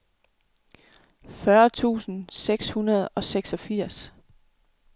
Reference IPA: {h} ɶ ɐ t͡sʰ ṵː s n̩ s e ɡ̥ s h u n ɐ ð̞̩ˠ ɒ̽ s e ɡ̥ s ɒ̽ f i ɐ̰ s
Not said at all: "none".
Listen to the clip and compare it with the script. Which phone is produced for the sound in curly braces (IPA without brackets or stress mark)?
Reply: f